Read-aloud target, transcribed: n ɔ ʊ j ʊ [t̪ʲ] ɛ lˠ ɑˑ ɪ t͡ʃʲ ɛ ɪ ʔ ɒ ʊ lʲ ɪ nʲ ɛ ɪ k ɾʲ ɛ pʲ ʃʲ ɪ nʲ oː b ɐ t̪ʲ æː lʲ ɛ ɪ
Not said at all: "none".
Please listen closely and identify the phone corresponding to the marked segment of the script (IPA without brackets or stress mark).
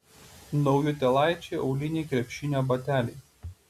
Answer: t̪ʲ